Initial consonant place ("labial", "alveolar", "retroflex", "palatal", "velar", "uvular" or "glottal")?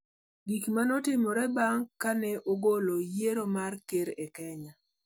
velar